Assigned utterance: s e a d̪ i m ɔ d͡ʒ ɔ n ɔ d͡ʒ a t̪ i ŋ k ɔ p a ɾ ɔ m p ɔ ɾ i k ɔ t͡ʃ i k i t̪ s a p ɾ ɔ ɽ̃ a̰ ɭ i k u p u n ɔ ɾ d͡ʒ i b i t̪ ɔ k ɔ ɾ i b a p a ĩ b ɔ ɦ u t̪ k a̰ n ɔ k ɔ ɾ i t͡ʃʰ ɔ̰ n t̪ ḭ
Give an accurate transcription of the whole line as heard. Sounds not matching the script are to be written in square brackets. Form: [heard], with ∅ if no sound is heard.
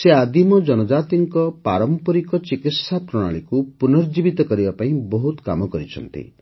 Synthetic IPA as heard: s e a d̪ i m ɔ d͡ʒ ɔ n ɔ d͡ʒ a t̪ i ŋ k ɔ p a ɾ ɔ m p ɔ ɾ i k ɔ t͡ʃ i k i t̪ s a p ɾ ɔ ɽ̃ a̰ ɭ i k u p u n ɔ ɾ d͡ʒ i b i t̪ ɔ k ɔ ɾ i b a p a ĩ b ɔ ɦ u t̪ k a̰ [m] ɔ k ɔ ɾ i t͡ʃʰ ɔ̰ n t̪ ḭ

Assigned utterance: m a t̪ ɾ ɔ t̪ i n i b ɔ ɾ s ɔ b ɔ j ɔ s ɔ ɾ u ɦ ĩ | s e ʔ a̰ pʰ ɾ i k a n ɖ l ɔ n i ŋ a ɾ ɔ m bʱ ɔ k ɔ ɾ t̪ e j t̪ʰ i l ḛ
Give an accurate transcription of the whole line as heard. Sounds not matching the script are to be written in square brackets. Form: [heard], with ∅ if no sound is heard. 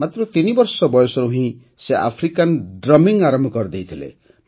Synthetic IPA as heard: m a t̪ ɾ ɔ t̪ i n i b ɔ ɾ s ɔ b ɔ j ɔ s ɔ ɾ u ɦ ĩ | s e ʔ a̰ pʰ ɾ i k a n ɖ [ɾ] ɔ [m] i ŋ a ɾ ɔ m bʱ ɔ k ɔ ɾ [d̪] e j t̪ʰ i l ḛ

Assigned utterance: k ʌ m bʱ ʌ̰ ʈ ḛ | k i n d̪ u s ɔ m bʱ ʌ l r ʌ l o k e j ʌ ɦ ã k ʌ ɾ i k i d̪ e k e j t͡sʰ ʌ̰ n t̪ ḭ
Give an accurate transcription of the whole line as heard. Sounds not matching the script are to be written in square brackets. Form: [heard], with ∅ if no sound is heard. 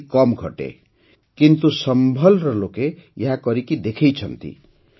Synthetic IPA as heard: k ʌ m [ɡʱ] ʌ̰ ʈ ḛ | k i n [t̪] u s [ʌ] m bʱ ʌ l r ʌ l o k e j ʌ ɦ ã k ʌ ɾ i k i d̪ e [kʰ] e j t͡sʰ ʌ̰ n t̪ ḭ

